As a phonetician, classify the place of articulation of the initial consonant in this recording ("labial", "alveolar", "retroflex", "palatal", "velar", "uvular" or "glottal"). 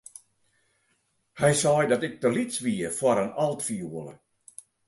glottal